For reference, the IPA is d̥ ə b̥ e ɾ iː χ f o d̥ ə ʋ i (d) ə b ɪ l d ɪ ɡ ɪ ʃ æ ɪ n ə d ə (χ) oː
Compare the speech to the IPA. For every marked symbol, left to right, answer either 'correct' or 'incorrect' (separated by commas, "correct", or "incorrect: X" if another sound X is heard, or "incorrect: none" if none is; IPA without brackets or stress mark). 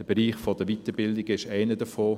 incorrect: t, incorrect: f